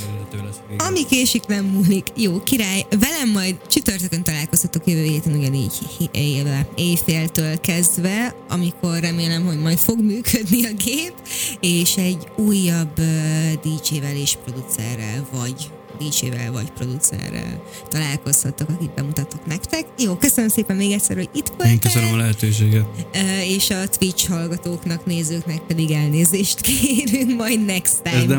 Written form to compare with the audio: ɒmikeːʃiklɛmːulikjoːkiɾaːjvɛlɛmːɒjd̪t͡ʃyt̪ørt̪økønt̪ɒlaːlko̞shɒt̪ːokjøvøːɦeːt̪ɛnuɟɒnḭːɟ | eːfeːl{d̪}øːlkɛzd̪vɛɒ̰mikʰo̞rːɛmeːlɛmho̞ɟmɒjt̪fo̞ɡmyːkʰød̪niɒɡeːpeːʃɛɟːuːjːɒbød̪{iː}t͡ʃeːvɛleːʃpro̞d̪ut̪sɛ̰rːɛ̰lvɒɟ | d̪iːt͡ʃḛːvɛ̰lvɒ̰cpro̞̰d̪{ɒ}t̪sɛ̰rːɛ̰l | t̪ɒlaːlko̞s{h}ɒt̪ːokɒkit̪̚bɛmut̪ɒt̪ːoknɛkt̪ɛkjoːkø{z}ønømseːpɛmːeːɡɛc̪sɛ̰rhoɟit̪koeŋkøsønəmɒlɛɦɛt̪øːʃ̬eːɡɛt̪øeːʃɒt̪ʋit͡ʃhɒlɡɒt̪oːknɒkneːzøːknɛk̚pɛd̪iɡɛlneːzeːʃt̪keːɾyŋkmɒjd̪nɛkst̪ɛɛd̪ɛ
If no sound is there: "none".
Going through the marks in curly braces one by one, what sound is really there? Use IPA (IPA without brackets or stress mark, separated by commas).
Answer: t̪, iː, u, h, s